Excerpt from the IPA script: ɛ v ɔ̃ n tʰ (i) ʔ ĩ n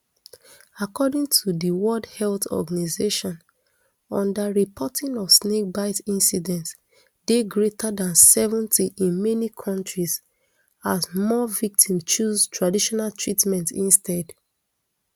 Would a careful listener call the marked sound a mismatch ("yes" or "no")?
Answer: no